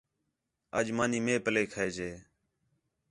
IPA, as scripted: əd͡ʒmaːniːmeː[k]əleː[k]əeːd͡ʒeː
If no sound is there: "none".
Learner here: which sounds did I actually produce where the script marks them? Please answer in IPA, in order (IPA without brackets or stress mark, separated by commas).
p, kʰ